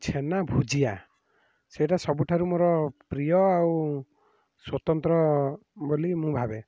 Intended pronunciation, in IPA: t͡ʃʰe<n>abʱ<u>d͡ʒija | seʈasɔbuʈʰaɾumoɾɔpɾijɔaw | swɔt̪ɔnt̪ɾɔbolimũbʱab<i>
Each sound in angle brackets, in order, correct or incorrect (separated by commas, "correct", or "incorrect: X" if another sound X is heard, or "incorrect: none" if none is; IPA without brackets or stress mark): correct, correct, incorrect: e